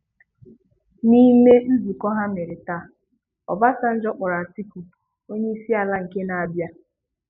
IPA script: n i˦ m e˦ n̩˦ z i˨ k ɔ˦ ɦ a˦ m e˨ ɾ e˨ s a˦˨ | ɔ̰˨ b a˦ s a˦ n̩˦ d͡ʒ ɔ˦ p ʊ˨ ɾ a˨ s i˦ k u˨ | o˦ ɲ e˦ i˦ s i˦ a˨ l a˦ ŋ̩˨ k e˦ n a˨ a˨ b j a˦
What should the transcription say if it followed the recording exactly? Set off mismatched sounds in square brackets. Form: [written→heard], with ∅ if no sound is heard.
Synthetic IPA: n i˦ m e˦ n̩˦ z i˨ k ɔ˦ ɦ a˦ m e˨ ɾ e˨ [s→t] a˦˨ | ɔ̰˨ b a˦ s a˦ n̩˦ d͡ʒ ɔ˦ [p→k͡p] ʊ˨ ɾ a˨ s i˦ k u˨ | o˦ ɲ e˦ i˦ s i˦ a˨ l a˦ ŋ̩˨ k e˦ n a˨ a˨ b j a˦